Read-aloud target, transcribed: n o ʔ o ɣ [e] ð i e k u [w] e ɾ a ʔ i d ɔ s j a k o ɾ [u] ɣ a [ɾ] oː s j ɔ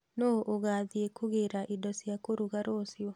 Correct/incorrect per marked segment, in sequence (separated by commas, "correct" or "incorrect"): incorrect, incorrect, correct, correct